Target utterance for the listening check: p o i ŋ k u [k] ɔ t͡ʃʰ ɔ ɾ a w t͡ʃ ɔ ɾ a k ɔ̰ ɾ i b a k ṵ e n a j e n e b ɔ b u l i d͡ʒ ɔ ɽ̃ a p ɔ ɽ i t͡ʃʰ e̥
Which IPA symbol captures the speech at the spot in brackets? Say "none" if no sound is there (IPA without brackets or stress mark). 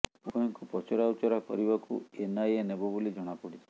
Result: p